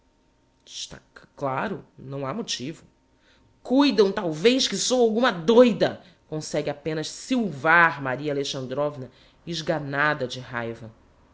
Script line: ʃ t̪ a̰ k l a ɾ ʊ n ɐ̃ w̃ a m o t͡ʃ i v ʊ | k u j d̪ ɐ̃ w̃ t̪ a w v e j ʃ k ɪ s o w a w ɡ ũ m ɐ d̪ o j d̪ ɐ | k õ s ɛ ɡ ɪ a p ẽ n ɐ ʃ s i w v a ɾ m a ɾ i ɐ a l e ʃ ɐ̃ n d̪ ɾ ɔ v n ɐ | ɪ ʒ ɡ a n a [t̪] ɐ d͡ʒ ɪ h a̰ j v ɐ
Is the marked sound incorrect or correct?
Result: incorrect